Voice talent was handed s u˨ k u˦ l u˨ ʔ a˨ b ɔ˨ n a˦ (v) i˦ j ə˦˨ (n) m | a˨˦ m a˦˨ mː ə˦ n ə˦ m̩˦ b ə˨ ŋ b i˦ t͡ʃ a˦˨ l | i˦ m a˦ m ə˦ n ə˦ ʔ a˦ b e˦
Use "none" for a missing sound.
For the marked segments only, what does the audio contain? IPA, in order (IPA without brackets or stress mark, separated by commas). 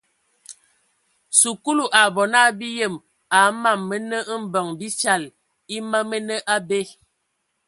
b, none